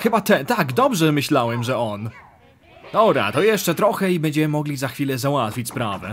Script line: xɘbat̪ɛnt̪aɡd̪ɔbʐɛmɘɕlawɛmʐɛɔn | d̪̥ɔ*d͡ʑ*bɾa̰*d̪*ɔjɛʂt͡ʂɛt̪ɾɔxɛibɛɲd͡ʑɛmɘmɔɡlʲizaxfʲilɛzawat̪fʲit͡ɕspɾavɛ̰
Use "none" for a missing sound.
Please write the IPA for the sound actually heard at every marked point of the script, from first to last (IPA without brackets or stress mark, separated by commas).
none, t̪